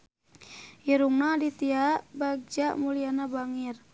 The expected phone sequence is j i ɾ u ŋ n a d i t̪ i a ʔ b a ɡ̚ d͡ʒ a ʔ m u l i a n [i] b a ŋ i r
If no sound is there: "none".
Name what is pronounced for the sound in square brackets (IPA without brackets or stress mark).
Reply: a